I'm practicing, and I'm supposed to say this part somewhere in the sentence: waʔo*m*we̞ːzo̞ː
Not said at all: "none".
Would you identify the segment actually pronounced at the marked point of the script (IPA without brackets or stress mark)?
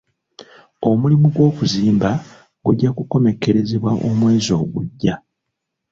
m